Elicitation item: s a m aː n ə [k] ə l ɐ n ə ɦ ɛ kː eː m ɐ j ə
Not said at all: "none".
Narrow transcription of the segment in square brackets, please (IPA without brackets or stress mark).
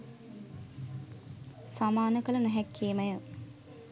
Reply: k